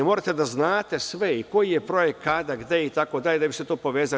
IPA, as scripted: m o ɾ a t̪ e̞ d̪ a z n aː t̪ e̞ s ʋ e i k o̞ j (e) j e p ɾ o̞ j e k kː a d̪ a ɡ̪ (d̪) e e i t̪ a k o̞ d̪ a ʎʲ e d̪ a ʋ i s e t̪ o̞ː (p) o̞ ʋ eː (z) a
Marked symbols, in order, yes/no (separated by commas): no, yes, yes, yes